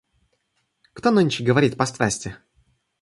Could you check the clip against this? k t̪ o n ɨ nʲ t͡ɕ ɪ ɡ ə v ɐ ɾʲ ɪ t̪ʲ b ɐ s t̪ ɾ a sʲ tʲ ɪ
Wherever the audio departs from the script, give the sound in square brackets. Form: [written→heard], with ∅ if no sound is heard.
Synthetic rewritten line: k t̪ o n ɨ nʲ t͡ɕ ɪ ɡ ə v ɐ ɾʲ [ɪ→i] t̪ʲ [b→p] ɐ s t̪ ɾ a sʲ tʲ ɪ